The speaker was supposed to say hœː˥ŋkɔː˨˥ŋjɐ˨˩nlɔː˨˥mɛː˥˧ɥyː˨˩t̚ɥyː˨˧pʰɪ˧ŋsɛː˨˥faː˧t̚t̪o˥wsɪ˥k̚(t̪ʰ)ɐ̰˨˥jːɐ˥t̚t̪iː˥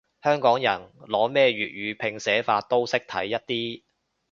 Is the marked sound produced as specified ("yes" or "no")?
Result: yes